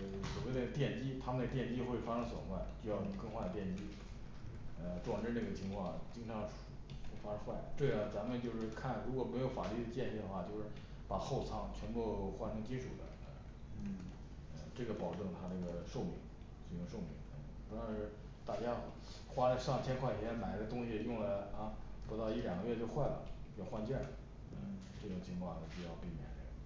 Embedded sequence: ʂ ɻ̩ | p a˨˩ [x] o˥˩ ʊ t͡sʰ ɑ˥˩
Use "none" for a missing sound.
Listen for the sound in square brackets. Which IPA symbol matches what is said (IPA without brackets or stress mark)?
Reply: x